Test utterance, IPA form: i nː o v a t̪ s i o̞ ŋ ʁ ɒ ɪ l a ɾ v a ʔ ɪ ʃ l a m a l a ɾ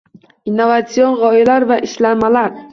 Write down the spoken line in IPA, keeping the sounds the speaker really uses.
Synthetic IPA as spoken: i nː o v a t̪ s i o̞ n ʁ ɒ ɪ l a ɾ v a ʔ ɪ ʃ l a m a l a ɾ